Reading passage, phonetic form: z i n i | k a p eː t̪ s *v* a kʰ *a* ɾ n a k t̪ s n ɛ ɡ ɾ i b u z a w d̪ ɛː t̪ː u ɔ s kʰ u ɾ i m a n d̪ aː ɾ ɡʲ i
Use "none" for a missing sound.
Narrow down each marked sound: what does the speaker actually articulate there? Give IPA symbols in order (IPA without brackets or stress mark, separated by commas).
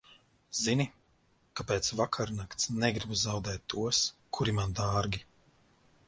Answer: v, a